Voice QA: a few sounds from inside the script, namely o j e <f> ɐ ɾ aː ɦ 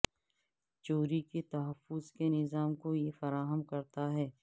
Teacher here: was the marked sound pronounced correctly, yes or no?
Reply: yes